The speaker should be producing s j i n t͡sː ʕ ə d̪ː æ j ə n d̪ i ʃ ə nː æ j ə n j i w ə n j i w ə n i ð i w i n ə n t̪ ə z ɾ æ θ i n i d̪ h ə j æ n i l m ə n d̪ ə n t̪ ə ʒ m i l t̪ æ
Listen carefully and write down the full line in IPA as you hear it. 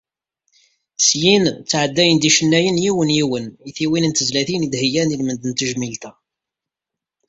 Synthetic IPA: s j i n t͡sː ʕ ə d̪ː æ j ə n d̪ i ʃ ə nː æ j ə n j i w ə n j i w ə n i θ i w i n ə n t̪ ə z l æ θ i n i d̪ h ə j æ n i l m ə n d̪ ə n t̪ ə ʒ m i l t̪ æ